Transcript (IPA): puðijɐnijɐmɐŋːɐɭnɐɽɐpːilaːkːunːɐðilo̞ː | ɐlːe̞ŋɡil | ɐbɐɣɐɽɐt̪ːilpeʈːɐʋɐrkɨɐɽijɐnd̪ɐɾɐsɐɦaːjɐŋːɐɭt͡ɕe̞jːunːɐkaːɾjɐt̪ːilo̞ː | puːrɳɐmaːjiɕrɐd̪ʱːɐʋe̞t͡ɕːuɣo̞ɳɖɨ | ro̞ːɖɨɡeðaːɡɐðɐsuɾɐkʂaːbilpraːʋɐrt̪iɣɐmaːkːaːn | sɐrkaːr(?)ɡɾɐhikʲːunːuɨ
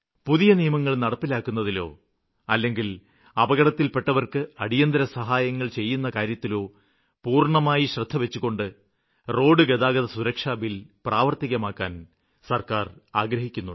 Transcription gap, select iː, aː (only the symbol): aː